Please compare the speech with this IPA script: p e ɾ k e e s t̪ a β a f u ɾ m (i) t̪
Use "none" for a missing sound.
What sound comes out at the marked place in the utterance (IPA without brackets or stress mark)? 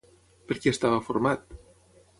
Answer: a